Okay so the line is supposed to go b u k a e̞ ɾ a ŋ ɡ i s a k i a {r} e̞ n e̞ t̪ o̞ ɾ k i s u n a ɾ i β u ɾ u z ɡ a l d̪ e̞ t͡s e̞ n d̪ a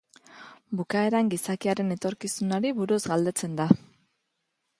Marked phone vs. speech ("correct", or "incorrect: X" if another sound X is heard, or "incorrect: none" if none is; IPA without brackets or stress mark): incorrect: ɾ